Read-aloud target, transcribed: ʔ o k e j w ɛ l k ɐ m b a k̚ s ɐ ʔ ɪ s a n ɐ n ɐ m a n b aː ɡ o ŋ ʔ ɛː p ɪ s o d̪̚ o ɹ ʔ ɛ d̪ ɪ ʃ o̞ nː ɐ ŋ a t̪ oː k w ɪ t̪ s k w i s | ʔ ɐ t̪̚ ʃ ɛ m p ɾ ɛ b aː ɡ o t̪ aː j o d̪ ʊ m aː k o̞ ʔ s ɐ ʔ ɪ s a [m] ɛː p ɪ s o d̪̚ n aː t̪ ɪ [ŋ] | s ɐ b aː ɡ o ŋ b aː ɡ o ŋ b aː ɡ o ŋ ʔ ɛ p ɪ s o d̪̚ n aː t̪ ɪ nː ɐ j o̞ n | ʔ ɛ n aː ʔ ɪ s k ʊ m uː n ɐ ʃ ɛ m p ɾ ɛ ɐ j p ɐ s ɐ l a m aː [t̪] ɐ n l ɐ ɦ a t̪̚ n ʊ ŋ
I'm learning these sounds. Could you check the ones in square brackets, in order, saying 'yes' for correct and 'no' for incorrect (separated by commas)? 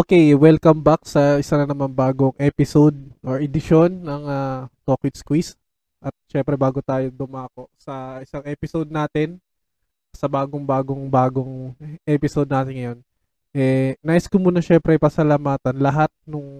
no, no, yes